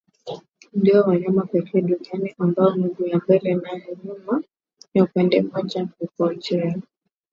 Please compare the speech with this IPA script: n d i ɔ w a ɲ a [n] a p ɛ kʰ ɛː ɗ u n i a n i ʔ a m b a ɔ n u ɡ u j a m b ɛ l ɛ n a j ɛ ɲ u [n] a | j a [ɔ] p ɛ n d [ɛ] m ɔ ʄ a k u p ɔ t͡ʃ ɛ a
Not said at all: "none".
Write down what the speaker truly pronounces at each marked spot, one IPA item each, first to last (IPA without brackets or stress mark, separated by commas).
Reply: m, m, u, ɛ